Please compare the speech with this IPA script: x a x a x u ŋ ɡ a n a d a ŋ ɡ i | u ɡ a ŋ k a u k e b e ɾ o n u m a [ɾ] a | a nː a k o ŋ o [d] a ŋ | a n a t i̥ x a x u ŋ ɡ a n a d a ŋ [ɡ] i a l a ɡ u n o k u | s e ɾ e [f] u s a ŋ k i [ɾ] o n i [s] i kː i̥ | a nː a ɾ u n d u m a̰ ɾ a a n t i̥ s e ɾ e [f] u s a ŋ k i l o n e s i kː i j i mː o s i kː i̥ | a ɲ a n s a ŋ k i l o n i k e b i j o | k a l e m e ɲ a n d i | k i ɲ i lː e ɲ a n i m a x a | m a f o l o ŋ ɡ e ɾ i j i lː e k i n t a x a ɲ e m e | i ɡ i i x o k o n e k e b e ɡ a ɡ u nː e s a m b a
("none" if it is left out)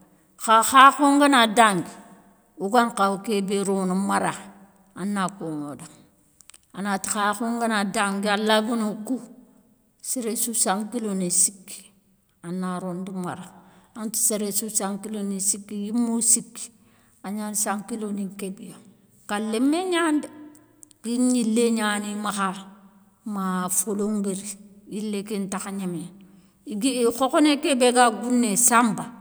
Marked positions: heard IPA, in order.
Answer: ɾ, d, ɡ, s, l, s, s

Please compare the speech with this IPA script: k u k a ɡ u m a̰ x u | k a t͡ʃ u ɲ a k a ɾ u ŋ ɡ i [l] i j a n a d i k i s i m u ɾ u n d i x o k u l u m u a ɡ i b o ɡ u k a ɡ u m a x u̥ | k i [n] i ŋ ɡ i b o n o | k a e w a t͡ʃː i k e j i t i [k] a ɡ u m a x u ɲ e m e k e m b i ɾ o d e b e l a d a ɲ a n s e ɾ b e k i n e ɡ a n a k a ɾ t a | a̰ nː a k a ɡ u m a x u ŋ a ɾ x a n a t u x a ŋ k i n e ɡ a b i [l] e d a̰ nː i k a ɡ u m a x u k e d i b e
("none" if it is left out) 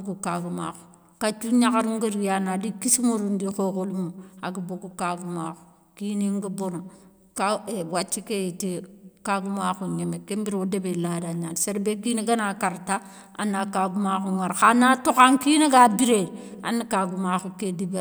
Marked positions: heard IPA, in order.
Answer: ɾ, n, k, ɾ

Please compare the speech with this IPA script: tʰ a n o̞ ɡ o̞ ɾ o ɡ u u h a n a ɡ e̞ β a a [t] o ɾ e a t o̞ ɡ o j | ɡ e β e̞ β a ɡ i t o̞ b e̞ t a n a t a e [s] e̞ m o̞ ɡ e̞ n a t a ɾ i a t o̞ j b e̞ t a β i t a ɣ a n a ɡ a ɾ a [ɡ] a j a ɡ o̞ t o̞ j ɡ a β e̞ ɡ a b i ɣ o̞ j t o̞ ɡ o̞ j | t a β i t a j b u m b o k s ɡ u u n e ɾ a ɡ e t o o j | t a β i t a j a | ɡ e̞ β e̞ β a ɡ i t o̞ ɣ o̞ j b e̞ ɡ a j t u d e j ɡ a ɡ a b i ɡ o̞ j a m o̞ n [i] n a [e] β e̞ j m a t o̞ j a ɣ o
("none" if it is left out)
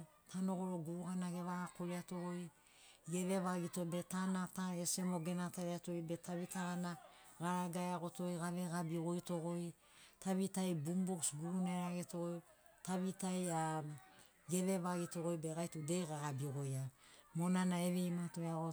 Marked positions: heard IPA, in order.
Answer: k, s, ɡ, a, e

